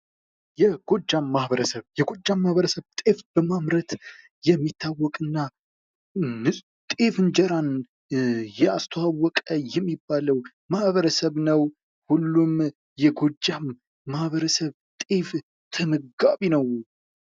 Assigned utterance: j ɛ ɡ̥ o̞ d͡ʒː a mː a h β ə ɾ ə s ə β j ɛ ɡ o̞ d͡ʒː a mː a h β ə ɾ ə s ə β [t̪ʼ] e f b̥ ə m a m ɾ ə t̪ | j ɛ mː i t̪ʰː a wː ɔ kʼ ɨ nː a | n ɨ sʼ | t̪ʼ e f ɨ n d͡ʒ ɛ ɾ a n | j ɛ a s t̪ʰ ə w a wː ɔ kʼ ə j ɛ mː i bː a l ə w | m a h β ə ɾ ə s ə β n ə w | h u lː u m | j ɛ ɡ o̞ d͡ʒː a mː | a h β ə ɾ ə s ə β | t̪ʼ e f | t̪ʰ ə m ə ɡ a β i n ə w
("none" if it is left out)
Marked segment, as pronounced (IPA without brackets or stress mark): t̪ʼ